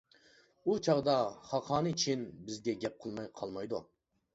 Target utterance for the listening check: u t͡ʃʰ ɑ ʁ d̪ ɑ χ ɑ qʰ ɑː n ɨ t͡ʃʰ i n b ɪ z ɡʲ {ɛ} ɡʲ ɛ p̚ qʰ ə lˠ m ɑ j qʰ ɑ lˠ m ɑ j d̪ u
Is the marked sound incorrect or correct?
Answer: correct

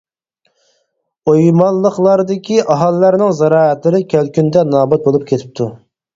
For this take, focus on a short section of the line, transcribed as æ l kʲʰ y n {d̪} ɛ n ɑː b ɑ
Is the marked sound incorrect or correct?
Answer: correct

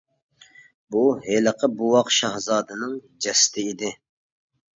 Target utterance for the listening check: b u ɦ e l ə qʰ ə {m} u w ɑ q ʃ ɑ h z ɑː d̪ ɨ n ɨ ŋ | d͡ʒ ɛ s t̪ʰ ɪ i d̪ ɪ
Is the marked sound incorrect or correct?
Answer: incorrect: b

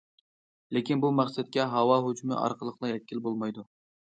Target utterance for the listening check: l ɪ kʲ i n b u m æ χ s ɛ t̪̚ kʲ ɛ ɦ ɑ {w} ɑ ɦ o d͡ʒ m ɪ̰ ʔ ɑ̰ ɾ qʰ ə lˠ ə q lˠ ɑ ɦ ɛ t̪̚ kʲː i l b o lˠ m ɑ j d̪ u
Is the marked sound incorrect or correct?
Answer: correct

